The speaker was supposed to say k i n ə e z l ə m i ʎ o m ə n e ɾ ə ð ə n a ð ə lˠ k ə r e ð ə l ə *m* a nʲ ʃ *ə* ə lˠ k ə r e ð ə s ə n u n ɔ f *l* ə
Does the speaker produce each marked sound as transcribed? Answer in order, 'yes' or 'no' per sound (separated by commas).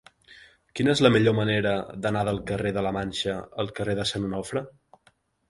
yes, yes, no